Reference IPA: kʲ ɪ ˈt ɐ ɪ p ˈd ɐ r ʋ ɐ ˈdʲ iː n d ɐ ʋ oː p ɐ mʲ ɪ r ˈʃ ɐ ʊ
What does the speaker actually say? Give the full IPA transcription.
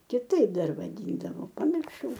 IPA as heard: kʲ ɪ ˈt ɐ ɪ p ˈd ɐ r ʋ ɐ ˈdʲ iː n d ɐ ʋ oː p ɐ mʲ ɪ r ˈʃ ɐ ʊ